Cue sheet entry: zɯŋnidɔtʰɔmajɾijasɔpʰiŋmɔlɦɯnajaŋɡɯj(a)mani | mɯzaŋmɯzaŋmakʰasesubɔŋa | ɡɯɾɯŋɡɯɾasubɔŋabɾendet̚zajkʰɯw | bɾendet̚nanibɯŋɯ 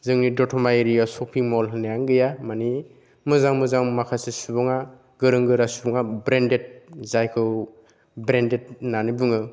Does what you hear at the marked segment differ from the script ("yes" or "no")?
no